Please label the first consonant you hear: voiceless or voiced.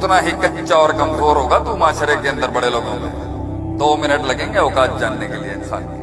voiceless